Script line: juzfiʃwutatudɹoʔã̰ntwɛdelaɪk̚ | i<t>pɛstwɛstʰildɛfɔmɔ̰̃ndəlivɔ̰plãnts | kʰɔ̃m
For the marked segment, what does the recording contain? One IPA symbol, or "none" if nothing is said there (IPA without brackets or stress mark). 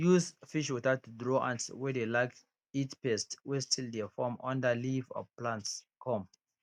t